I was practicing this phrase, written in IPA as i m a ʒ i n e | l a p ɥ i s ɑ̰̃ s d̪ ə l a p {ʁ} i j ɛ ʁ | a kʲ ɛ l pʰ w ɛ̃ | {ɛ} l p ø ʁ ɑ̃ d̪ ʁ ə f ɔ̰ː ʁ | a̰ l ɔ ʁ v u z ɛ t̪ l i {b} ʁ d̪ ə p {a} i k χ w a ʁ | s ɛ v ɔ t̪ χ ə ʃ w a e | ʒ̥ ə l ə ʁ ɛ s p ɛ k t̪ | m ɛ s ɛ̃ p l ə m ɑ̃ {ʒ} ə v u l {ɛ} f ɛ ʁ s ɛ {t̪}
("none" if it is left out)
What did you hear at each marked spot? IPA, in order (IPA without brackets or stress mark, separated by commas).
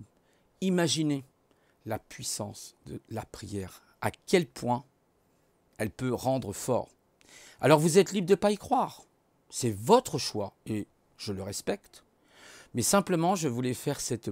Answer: χ, ɛ, b, a, ʒ, ɛ, t̪